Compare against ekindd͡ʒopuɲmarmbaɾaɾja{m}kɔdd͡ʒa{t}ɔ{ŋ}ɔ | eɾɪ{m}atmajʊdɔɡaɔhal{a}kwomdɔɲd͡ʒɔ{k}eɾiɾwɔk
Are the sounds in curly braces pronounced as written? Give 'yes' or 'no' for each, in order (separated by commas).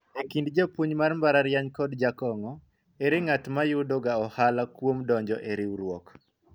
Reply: no, no, yes, no, yes, no